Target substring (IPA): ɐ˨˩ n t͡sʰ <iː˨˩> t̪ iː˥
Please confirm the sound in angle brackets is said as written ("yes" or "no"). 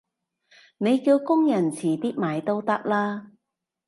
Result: yes